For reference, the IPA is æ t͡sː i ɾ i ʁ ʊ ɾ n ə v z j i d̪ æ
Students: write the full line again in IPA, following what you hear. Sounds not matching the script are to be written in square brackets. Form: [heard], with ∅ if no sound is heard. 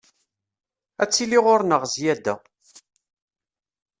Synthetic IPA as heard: æ t͡sː i [l] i ʁ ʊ ɾ n ə [ʁ] z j [æ] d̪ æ